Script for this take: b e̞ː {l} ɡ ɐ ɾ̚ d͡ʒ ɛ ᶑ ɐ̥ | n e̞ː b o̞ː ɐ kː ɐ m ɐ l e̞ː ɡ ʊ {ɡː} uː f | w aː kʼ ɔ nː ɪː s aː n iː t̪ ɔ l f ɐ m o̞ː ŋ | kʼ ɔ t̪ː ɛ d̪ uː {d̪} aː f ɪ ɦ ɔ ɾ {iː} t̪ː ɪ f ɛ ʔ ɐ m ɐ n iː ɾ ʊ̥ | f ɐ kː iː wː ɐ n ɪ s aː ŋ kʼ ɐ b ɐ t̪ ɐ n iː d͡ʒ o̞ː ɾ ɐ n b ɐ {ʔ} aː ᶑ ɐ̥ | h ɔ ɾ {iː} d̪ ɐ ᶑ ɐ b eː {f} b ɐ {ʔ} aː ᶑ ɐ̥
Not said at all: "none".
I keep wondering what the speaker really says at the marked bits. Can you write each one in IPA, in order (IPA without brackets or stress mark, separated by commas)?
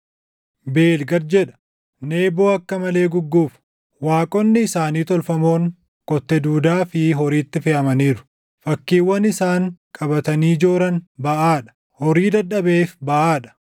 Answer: l, ɡː, d̪, iː, ʔ, iː, f, ʔ